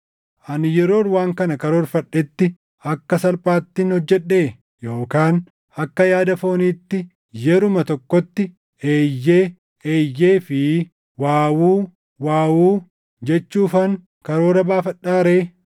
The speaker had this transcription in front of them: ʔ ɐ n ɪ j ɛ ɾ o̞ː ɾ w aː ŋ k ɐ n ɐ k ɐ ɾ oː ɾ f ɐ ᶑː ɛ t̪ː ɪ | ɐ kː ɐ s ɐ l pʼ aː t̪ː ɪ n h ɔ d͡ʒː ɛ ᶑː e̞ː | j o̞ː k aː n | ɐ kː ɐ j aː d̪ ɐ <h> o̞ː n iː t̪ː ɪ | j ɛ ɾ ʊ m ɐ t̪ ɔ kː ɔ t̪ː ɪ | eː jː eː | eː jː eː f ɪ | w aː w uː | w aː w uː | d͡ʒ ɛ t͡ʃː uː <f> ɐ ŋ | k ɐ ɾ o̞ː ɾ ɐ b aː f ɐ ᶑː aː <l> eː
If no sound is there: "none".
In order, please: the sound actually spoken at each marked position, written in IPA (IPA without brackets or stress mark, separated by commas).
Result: f, f, ɾ